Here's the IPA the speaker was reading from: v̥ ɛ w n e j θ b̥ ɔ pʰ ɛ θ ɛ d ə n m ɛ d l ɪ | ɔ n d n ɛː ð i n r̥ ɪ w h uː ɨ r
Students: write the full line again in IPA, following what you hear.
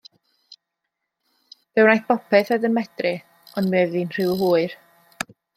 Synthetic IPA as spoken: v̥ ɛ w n a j θ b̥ ɔ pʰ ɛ θ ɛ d ə n m ɛ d r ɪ | ɔ n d m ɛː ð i n r̥ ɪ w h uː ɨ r